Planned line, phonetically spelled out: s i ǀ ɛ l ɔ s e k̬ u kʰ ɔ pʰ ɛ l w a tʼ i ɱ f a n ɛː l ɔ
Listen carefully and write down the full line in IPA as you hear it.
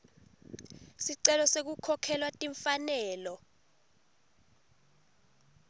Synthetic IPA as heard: s i ǀ ɛ l ɔ s e k̬ u kʰ ɔ kʰ ɛ l w a tʼ i ɱ f a n ɛː l ɔ